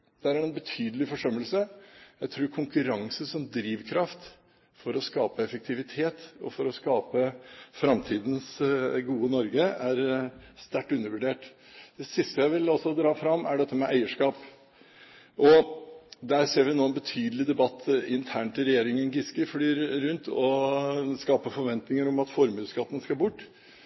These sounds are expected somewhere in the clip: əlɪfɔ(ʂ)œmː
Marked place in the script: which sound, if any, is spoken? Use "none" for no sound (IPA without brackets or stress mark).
ʂ